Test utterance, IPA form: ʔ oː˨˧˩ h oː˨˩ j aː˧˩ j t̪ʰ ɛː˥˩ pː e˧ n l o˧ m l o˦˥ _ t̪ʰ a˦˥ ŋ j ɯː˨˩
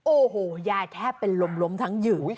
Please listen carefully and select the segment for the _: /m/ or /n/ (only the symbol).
m